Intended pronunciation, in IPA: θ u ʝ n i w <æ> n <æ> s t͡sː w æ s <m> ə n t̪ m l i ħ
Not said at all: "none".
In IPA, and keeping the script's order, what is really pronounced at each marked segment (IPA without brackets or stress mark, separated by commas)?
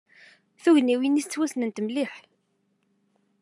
i, i, n